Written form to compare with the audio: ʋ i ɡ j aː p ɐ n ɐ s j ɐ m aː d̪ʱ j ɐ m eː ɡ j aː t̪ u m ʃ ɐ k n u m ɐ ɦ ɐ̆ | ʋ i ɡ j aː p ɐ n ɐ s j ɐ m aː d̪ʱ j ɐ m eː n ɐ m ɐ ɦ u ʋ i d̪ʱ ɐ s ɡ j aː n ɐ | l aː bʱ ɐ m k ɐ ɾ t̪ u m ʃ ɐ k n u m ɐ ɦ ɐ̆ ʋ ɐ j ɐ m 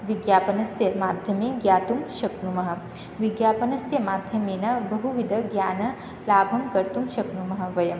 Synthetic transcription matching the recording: ʋ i ɡ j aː p ɐ n ɐ s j ɐ m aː d̪ʱ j ɐ m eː ɡ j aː t̪ u m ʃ ɐ k n u m ɐ ɦ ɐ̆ | ʋ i ɡ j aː p ɐ n ɐ s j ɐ m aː d̪ʱ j ɐ m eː n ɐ b ɐ ɦ u ʋ i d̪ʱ ɐ ɡ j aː n ɐ | l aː bʱ ɐ m k ɐ ɾ t̪ u m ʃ ɐ k n u m ɐ ɦ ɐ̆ ʋ ɐ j ɐ m